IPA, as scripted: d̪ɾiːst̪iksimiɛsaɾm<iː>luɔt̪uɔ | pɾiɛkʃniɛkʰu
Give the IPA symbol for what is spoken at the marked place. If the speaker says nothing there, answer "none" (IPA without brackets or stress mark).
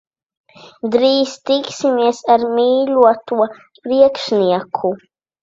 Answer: iː